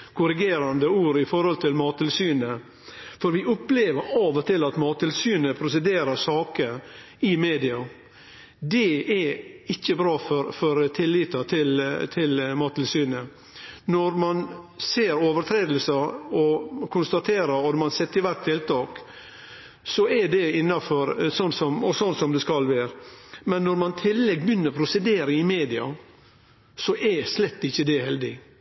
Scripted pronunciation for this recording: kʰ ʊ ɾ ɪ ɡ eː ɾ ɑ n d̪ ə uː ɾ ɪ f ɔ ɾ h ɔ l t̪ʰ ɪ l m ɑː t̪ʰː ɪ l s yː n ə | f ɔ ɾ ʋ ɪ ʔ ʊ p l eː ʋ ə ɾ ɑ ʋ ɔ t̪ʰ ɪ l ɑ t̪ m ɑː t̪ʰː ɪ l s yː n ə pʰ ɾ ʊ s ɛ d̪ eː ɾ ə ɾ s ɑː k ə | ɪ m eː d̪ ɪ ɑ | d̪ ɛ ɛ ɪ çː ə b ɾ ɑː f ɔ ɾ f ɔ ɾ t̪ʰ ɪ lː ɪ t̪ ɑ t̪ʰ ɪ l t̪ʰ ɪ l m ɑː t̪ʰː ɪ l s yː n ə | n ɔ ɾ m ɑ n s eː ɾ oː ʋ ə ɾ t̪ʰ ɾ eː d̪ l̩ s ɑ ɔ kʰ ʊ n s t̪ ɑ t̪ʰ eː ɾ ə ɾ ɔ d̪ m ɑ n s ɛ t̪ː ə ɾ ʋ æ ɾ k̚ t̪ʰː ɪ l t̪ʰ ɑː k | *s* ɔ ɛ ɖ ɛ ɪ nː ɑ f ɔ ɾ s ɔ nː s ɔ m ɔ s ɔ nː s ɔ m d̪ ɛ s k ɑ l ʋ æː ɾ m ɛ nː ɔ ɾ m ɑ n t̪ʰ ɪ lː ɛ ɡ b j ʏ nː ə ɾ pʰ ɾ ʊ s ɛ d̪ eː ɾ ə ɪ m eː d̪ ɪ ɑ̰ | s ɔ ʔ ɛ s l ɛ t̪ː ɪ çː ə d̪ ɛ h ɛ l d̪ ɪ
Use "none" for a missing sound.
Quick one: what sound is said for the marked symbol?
s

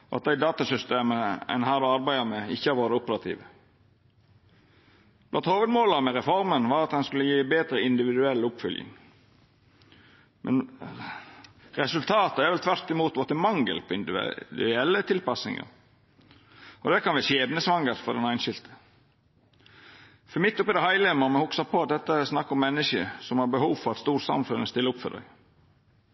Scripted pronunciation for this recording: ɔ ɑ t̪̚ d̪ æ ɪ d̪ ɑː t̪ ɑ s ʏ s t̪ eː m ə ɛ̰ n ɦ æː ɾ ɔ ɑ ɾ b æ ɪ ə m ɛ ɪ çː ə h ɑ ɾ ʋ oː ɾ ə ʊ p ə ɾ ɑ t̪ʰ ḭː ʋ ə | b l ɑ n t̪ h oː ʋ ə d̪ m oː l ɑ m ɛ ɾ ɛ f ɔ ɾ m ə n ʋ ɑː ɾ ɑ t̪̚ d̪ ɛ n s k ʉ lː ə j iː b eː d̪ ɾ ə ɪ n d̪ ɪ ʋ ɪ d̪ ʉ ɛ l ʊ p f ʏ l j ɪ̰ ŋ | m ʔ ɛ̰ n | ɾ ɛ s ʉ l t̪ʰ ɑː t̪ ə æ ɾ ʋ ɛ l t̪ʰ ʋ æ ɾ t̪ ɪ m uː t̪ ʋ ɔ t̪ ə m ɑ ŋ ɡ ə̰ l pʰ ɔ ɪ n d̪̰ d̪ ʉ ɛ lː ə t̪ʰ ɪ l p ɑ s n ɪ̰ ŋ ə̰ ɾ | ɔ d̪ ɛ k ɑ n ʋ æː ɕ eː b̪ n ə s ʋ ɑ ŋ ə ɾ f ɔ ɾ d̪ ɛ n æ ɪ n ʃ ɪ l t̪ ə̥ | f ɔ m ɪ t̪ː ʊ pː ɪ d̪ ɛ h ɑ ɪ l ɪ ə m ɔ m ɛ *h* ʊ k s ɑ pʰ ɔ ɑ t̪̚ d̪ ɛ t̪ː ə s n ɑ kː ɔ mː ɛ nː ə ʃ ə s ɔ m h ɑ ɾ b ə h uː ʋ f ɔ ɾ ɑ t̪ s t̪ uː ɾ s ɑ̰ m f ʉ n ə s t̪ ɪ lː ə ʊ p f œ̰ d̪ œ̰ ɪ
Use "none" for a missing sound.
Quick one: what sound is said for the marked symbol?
h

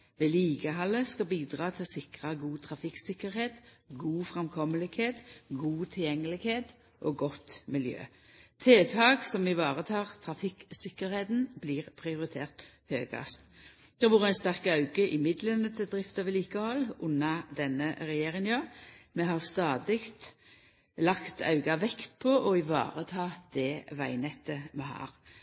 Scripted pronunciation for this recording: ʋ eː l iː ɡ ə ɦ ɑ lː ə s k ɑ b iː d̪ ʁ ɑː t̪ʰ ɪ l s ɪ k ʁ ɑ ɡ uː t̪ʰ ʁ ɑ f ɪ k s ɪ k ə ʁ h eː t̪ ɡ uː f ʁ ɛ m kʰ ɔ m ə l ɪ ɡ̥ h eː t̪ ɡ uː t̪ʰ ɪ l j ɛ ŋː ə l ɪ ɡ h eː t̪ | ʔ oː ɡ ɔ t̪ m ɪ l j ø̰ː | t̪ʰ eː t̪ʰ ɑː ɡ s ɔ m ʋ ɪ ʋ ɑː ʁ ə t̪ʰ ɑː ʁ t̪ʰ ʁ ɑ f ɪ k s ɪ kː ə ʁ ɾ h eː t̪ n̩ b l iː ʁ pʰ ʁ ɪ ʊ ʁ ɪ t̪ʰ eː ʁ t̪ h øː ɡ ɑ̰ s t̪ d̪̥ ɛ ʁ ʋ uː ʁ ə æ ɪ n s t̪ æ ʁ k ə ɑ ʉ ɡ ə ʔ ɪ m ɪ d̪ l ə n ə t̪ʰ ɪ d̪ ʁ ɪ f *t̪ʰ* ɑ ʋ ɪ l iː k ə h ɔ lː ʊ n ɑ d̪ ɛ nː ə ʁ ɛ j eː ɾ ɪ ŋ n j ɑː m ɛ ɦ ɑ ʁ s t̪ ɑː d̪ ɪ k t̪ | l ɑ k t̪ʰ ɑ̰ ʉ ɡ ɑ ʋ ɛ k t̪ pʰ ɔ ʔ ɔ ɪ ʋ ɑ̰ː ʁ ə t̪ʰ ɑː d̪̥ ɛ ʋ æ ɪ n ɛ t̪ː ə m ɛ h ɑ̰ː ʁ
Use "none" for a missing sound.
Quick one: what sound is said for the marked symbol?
t̪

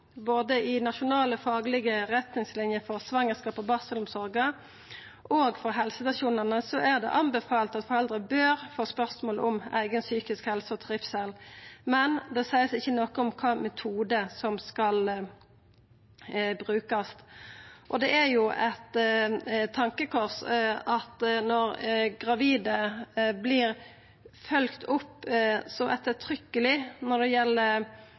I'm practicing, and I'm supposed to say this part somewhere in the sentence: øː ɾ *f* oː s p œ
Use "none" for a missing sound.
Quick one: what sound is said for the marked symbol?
f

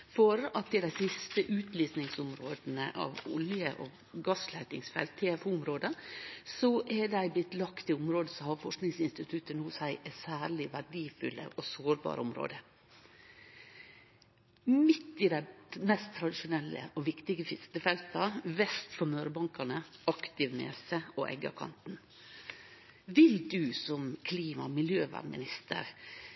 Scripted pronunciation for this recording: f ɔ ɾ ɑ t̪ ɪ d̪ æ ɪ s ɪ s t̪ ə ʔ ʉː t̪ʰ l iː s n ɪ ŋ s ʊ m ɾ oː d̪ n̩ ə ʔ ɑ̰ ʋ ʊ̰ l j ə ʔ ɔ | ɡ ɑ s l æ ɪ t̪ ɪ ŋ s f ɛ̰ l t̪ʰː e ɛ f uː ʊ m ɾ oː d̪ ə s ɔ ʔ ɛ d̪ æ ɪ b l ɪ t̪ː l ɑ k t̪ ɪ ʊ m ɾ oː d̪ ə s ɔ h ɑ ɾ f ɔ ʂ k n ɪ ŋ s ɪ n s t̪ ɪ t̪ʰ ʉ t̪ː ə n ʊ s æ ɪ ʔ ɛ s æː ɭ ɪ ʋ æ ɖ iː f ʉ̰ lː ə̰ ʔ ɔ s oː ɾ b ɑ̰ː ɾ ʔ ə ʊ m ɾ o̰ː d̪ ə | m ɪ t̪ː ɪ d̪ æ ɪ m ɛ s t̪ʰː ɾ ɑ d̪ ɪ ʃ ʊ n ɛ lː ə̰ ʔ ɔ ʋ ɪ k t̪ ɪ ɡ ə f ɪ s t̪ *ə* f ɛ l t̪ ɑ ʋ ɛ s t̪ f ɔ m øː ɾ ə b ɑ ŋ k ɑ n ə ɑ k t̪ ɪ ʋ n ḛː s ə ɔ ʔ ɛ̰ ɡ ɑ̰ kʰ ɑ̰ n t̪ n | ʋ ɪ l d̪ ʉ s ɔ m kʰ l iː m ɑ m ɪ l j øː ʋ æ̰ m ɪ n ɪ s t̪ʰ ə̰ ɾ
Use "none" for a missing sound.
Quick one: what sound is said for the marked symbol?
ə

